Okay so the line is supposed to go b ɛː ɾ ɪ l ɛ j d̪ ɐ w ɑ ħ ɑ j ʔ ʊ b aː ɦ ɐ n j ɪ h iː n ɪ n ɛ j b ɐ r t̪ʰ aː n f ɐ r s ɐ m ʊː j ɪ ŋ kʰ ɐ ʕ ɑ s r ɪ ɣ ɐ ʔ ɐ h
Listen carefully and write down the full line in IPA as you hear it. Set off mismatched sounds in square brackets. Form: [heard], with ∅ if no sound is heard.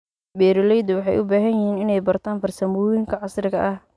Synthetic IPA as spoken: b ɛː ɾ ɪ l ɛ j d̪ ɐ w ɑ ħ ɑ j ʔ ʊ b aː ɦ ɐ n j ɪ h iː n ɪ n ɛ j b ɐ r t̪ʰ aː n f ɐ r s ɐ m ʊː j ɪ ŋ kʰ ɐ ʕ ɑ s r ɪ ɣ ɐ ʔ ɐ h